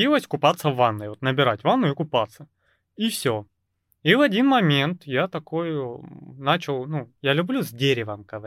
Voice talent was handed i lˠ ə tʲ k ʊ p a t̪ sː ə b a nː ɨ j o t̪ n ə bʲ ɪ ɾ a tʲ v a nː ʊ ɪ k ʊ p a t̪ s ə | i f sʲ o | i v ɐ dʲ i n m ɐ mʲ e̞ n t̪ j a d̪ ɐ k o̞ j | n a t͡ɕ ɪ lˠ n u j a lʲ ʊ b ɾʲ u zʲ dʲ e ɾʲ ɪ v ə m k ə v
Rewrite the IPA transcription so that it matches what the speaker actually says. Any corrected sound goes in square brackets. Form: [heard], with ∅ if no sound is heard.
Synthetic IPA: i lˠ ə [sʲ] k ʊ p a t̪ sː ə [v] a nː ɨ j o t̪ n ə bʲ ɪ ɾ a tʲ v a nː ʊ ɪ k ʊ p a t̪ s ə | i f sʲ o | i v ɐ dʲ i n m ɐ mʲ e̞ n t̪ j a [t̪] ɐ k o̞ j | n a t͡ɕ ɪ lˠ n u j a lʲ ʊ b [lʲ] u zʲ dʲ e ɾʲ ɪ v ə m k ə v